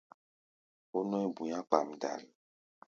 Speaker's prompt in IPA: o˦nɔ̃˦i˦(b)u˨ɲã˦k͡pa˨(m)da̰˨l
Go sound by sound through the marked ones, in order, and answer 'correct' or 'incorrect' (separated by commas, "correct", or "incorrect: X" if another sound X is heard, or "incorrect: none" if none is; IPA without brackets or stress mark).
correct, correct